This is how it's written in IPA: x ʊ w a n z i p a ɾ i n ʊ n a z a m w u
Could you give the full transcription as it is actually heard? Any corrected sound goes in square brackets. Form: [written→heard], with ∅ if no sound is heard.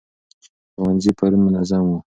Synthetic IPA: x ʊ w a n z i p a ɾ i [n→m] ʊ n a z a m w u